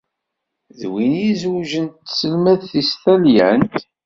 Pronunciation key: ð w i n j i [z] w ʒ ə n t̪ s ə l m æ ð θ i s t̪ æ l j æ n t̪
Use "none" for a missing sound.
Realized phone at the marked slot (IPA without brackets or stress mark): z